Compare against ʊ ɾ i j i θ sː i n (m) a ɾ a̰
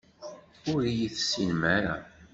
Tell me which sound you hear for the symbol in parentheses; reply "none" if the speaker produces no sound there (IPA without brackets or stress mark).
m